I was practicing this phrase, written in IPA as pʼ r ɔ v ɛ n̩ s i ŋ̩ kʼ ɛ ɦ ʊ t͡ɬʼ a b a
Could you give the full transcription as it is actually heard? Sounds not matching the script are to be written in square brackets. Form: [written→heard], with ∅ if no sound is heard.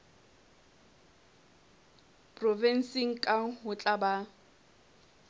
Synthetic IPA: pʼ r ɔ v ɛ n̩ s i ŋ̩ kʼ [ɛ→a] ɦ ʊ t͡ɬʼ a b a